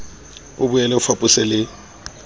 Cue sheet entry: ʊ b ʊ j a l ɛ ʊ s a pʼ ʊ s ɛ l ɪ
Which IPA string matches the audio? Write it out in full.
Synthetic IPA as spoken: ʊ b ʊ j ɛ l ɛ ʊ f a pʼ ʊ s ɛ l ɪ